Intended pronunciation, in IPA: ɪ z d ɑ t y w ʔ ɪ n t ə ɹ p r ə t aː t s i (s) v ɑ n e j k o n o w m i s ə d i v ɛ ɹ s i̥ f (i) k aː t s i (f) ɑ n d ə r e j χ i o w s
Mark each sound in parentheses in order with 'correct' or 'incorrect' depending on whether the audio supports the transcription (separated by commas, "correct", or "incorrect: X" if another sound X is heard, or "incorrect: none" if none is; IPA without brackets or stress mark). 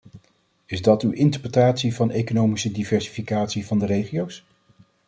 incorrect: none, correct, incorrect: v